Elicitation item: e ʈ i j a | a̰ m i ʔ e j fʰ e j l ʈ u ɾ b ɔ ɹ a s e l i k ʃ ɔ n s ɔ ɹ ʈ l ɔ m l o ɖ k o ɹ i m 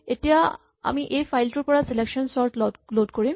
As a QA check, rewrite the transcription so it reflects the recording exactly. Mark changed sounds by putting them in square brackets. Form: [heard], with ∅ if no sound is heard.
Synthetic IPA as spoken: e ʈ i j a | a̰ m i ʔ e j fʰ [a] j l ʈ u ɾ [p] ɔ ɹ a s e l [e] k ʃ ɔ n s ɔ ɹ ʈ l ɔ [∅] l o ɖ k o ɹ i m